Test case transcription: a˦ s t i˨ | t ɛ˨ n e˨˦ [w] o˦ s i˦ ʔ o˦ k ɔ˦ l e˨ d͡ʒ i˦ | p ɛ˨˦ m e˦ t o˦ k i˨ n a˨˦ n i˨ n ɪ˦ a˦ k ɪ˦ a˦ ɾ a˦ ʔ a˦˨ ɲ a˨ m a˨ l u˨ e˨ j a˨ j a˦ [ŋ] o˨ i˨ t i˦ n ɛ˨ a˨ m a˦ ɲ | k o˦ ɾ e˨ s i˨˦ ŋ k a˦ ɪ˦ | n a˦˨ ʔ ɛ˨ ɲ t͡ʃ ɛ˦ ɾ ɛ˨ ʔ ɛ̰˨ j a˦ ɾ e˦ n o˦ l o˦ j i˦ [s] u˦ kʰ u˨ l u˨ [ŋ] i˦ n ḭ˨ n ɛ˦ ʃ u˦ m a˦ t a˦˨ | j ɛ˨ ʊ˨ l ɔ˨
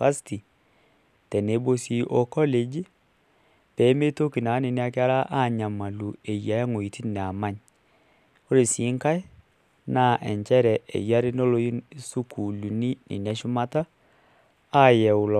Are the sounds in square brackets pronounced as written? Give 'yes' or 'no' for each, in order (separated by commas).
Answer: no, yes, yes, no